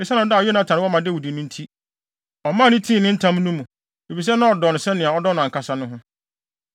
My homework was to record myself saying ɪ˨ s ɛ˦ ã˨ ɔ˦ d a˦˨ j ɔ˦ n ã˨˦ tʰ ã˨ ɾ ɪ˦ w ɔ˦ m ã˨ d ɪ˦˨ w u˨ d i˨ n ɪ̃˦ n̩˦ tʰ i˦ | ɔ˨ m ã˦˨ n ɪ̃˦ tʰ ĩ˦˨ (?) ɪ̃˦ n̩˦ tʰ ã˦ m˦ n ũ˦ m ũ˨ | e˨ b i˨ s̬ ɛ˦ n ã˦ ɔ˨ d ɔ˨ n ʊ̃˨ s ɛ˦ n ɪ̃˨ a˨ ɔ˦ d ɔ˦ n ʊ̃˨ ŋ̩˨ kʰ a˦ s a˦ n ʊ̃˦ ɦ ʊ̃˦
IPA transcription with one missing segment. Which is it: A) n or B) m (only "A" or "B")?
A